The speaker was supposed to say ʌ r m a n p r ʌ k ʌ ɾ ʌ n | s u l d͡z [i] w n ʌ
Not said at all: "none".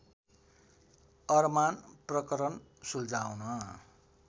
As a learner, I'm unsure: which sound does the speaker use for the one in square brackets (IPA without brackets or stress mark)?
a